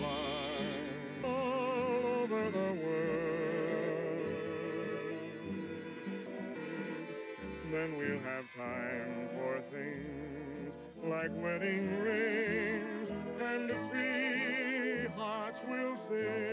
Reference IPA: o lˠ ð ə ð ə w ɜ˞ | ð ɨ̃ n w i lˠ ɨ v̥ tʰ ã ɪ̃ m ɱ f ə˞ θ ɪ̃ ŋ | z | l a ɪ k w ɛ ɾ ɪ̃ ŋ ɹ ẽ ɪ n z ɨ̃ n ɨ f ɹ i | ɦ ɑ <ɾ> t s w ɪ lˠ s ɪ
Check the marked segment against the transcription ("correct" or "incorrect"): incorrect